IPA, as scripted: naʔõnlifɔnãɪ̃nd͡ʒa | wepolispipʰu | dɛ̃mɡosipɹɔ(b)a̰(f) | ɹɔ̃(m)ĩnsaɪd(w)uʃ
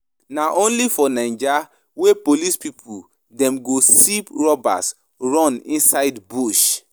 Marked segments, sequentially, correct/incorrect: correct, incorrect, incorrect, incorrect

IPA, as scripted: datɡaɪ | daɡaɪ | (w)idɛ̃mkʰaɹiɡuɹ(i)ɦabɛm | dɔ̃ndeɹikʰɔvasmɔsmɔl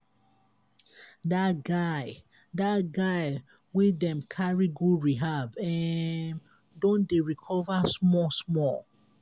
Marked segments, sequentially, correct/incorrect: correct, correct

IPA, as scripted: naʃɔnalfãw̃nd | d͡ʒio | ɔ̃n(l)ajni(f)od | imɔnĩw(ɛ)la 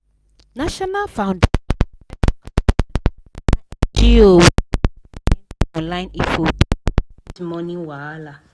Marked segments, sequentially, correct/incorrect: correct, correct, incorrect

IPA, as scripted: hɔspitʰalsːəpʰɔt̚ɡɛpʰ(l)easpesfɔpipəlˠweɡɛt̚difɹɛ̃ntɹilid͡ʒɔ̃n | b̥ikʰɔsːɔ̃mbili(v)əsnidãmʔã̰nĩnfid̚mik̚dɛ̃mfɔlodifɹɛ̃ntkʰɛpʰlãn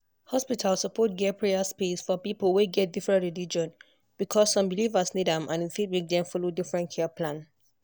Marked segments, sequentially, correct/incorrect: incorrect, correct

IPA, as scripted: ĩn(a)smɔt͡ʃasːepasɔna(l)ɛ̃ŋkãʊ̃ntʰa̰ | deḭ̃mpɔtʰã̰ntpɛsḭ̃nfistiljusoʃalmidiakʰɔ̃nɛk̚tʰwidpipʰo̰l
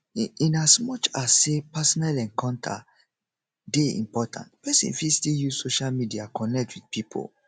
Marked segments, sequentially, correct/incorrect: correct, correct

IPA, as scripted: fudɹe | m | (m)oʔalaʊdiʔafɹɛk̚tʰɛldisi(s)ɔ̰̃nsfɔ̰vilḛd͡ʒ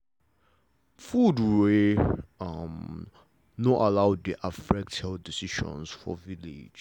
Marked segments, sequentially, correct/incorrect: incorrect, incorrect

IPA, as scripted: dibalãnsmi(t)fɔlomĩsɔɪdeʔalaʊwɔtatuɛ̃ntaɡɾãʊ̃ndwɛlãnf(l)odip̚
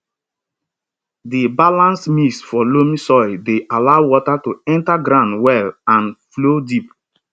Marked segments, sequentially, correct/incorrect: incorrect, correct

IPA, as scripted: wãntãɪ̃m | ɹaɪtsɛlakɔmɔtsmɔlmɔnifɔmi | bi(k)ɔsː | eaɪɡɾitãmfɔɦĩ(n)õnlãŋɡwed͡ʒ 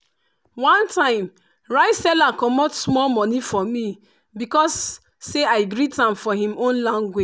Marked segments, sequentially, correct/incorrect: correct, incorrect

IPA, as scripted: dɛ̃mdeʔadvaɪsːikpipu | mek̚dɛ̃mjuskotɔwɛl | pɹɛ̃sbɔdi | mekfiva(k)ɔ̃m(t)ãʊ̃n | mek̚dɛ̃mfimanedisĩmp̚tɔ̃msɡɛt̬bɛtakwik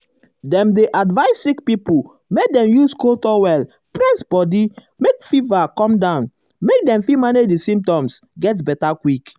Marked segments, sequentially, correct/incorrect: correct, incorrect

